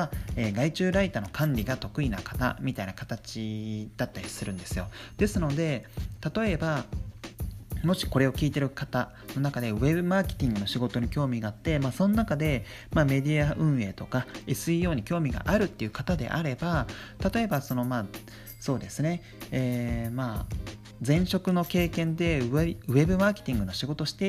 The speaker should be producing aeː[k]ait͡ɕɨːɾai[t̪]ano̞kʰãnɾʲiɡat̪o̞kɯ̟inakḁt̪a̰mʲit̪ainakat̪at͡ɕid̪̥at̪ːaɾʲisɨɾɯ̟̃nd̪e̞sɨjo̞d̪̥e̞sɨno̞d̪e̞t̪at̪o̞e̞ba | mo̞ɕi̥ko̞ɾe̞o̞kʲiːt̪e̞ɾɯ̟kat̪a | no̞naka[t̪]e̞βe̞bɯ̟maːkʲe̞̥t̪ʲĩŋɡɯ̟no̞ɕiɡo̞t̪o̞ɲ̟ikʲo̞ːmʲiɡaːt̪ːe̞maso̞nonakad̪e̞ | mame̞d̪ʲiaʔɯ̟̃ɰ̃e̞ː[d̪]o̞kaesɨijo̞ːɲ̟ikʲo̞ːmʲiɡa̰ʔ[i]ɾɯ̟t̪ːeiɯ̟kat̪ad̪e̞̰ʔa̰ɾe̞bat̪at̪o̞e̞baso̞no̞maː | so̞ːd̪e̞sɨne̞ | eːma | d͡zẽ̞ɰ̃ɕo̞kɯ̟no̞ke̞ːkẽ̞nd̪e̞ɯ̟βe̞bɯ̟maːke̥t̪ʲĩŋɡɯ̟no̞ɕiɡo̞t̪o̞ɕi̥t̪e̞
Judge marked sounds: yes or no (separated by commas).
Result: no, yes, no, no, no